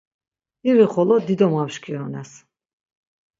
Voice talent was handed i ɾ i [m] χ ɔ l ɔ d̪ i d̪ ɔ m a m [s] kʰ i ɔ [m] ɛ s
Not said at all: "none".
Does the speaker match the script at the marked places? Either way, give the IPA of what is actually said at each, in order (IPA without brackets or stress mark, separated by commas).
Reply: none, ʃ, n